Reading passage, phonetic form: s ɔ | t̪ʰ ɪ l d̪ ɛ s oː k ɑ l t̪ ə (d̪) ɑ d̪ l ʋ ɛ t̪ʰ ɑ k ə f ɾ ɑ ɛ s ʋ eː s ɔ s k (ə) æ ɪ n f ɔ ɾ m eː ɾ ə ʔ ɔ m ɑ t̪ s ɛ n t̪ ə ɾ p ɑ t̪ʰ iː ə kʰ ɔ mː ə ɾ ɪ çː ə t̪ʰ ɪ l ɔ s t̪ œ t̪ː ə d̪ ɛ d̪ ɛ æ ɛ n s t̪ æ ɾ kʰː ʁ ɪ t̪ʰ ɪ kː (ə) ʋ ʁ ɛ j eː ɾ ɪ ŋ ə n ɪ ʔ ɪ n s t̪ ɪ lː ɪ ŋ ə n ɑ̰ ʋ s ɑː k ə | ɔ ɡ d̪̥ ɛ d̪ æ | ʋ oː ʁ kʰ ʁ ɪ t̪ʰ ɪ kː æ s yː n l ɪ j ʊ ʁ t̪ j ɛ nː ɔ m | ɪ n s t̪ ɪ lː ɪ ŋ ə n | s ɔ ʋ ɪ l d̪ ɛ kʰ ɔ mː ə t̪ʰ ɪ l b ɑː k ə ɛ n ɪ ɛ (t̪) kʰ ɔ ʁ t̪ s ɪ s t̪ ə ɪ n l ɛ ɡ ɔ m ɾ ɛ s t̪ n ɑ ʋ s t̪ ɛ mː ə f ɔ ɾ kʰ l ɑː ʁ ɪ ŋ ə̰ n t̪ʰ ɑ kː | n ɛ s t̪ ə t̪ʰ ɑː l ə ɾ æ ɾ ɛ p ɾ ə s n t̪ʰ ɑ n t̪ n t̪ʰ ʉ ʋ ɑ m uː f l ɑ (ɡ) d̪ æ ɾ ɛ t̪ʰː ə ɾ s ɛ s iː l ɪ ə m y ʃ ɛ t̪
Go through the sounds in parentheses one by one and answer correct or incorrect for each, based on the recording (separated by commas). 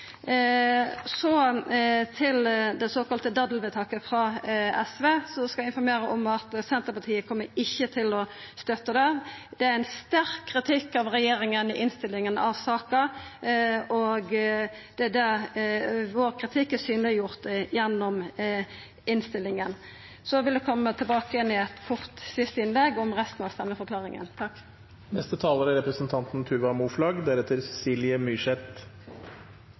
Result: correct, incorrect, incorrect, correct, correct